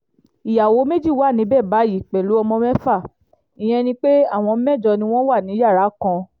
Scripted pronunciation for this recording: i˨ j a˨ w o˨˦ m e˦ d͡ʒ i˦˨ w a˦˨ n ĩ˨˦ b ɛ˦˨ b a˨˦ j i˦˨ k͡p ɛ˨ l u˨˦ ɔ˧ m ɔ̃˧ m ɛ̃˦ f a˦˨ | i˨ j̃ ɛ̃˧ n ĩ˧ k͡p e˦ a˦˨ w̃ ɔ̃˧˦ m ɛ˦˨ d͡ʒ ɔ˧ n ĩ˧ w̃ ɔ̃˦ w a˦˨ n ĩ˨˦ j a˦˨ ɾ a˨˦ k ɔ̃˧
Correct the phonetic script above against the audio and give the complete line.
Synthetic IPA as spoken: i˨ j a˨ w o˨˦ m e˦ d͡ʒ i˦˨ w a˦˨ n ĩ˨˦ b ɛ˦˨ b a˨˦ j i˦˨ k͡p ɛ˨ l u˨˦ ɔ˧ m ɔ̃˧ m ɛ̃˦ f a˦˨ | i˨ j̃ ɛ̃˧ n ĩ˧ k͡p e˦ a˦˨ w̃ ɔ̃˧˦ m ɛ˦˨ d͡ʒ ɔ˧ n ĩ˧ w̃ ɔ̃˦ w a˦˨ n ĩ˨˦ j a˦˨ ɾ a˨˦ k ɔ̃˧